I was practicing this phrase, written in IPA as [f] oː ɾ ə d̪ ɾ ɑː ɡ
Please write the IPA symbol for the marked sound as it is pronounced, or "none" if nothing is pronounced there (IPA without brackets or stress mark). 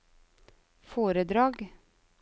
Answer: f